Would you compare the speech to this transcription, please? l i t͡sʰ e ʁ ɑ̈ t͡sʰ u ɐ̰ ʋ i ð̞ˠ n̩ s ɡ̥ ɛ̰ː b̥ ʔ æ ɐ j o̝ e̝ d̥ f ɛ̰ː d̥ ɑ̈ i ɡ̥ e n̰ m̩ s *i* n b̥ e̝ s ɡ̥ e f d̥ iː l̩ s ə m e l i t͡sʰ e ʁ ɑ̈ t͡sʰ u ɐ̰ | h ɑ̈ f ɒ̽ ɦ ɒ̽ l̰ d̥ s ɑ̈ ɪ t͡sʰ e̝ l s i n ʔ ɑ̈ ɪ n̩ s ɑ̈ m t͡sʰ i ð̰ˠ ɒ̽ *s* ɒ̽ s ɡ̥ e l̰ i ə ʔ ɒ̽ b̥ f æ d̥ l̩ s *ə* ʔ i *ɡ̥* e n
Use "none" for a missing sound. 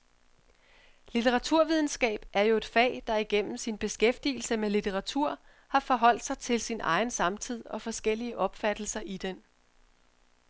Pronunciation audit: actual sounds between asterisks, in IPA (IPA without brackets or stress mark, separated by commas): i, f, ɐ, d̥